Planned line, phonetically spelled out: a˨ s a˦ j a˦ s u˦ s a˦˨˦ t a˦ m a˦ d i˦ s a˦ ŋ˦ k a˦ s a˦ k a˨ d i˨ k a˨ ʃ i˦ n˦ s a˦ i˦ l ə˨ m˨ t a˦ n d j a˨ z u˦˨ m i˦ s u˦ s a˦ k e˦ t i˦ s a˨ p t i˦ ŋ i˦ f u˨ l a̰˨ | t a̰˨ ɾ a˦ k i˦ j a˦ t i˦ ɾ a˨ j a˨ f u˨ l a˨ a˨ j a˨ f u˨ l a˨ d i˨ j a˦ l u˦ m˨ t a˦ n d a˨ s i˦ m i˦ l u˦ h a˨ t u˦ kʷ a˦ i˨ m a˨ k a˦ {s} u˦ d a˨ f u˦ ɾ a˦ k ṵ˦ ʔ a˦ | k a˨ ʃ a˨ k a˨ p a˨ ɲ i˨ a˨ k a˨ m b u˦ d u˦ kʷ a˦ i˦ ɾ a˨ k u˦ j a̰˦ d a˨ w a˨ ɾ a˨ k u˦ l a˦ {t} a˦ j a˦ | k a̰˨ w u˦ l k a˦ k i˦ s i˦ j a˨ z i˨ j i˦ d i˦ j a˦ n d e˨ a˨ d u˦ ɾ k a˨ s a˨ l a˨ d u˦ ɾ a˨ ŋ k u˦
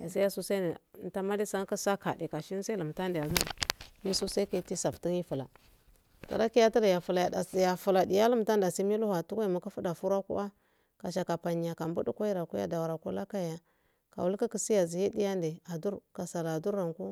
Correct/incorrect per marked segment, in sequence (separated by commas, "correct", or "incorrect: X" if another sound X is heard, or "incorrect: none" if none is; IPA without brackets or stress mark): incorrect: f, incorrect: k